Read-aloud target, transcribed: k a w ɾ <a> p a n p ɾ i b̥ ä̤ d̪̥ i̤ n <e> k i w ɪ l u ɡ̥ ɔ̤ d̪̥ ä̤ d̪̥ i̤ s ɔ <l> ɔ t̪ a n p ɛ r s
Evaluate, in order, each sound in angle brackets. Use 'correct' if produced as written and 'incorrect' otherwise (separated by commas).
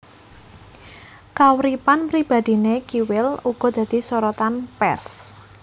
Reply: incorrect, correct, incorrect